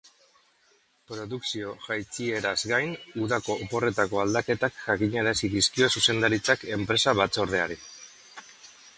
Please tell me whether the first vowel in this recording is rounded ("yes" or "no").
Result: yes